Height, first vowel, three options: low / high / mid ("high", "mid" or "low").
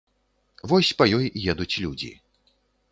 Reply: mid